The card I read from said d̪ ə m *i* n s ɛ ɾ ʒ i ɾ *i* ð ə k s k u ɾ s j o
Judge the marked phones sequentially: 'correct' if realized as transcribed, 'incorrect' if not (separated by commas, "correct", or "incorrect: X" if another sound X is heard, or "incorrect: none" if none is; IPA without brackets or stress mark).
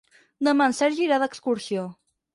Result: incorrect: a, incorrect: a